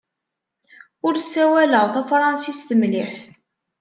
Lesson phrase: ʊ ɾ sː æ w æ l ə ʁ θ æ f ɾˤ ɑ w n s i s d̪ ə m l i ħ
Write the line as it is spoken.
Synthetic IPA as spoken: ʊ ɾ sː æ w æ l ə ʁ θ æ f ɾˤ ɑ n s i s t̪ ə m l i ħ